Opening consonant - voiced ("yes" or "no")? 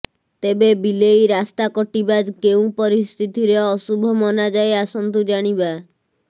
no